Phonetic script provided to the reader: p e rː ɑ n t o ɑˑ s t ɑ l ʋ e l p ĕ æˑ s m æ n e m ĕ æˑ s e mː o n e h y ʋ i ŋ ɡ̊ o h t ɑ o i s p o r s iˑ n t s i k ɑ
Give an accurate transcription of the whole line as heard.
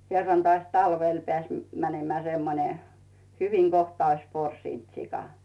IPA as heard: k e rː ɑ n t o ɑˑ s t ɑ l ʋ e l p ĕ æˑ s m æ n e m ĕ æˑ s e mː o n e h y ʋ i ŋ ɡ̊ o h t ɑ o i s p o r s iˑ n t s i k ɑ